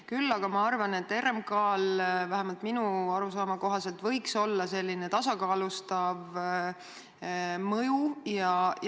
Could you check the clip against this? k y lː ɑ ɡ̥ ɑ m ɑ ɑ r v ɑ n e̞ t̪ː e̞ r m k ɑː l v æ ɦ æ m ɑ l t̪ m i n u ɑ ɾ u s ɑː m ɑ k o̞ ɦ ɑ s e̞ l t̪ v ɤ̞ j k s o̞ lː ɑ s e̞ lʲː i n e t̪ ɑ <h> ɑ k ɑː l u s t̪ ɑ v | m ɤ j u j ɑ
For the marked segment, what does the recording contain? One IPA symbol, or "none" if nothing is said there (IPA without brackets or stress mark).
s